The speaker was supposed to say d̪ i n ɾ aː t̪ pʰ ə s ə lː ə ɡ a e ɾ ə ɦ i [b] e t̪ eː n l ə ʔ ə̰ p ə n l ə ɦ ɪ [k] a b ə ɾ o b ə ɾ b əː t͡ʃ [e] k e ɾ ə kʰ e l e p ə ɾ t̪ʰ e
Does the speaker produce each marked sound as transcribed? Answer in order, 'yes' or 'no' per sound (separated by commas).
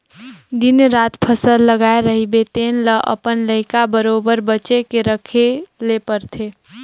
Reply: yes, yes, yes